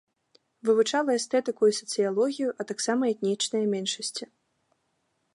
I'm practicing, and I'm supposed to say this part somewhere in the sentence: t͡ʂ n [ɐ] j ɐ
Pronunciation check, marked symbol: correct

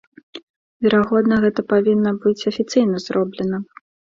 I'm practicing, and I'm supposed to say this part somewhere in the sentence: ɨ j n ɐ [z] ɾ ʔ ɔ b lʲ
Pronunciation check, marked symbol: correct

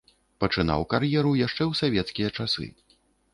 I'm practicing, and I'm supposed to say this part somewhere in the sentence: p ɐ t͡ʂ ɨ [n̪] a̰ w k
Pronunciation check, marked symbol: correct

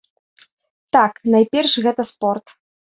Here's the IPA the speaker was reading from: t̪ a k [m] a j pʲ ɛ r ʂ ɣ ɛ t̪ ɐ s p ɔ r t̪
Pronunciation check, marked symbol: incorrect: n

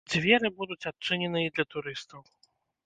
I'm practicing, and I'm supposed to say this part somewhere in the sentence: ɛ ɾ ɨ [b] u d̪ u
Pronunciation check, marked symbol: correct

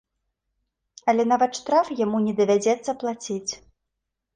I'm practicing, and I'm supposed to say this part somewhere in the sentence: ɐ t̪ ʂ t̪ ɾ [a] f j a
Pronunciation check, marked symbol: correct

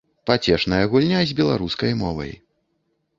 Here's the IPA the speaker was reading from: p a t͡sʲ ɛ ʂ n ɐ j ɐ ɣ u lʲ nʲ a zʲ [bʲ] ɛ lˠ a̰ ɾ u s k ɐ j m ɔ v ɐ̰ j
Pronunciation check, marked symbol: correct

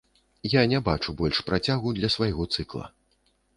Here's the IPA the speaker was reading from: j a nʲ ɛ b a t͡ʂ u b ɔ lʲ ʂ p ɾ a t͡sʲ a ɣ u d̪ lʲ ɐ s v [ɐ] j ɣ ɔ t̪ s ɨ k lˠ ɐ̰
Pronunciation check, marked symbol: incorrect: a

